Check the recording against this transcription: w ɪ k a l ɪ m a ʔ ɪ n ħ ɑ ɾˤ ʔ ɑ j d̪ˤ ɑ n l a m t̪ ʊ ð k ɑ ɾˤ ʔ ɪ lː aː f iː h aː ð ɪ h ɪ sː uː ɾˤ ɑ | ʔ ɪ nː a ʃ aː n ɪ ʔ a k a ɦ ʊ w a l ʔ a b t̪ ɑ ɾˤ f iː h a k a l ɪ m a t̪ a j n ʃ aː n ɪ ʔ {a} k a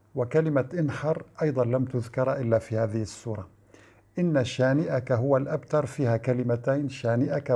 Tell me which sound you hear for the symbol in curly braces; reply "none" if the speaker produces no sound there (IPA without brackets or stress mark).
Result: a